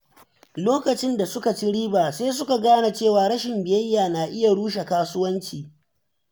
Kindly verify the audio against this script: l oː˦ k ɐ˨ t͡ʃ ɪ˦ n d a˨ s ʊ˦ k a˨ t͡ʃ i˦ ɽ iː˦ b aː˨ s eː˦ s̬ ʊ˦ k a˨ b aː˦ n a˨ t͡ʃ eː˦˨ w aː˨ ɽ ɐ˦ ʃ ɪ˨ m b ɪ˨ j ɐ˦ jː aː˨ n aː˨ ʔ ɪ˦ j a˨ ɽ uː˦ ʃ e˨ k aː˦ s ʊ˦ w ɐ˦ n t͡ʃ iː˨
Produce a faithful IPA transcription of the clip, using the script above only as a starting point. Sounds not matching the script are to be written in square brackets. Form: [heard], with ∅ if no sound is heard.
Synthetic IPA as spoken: l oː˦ k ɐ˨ t͡ʃ ɪ˦ n d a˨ s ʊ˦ k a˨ t͡ʃ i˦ ɽ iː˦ b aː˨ s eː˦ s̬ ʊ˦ k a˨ [ɡ] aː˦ n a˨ t͡ʃ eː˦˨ w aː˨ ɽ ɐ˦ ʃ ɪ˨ m b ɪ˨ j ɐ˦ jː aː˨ n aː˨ ʔ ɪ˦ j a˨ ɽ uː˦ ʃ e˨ k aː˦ s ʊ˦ w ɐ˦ n t͡ʃ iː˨

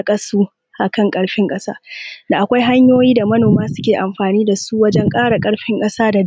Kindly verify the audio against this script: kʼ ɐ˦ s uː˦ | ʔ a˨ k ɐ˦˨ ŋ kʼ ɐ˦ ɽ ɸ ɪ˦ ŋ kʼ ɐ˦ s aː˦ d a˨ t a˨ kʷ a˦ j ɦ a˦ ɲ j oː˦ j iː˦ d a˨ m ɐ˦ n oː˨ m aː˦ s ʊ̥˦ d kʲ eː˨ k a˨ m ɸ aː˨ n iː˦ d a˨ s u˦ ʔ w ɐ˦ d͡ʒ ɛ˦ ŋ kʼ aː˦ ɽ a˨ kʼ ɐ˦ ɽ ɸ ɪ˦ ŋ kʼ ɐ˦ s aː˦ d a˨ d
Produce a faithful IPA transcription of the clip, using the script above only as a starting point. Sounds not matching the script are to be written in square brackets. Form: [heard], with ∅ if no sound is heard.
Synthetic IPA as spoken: kʼ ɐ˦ s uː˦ | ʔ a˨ k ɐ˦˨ ŋ kʼ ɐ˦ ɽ ɸ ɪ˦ ŋ kʼ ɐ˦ s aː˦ d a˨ [ʔ] a˨ kʷ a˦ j ɦ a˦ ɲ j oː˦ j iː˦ d a˨ m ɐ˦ n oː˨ m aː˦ s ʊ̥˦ [∅] kʲ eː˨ [ʔ] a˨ m ɸ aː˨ n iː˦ d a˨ s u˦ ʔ w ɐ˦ d͡ʒ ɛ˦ ŋ kʼ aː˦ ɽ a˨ kʼ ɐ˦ ɽ ɸ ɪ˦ ŋ kʼ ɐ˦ s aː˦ d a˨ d

